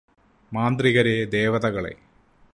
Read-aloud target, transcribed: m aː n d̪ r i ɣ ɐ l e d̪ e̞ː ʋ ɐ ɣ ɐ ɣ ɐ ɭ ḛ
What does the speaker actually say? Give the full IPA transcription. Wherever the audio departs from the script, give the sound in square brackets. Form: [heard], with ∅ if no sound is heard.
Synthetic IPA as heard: m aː n d̪ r i ɣ ɐ [ɾ] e d̪ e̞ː ʋ ɐ [ð] ɐ ɣ ɐ ɭ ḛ

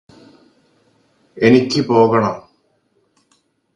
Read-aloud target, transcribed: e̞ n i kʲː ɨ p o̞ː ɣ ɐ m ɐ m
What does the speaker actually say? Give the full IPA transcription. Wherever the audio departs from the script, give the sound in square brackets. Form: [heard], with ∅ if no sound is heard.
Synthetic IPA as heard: e̞ n i kʲː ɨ p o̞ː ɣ ɐ [ɳ] ɐ m

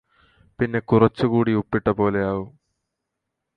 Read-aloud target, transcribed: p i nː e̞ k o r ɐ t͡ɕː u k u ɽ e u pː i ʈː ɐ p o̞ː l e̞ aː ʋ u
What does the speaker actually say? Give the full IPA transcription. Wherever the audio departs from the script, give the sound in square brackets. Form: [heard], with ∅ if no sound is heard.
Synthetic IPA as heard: p i nː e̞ k [u] r ɐ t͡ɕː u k [uː] ɽ [i] u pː i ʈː ɐ p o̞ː l e̞ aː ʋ u

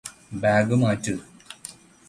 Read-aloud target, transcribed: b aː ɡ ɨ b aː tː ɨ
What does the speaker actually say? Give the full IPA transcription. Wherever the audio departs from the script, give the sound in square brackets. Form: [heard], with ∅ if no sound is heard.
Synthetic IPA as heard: b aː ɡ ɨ [m] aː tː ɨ

